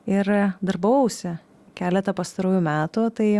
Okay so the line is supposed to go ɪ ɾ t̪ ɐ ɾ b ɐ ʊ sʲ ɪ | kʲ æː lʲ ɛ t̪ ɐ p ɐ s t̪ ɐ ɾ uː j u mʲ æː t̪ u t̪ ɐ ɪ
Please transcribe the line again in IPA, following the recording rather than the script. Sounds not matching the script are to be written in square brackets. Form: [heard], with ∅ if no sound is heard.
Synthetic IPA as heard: ɪ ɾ [d̪] ɐ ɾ b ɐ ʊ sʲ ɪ | kʲ æː lʲ ɛ t̪ ɐ p ɐ s t̪ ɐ ɾ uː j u mʲ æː t̪ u t̪ ɐ ɪ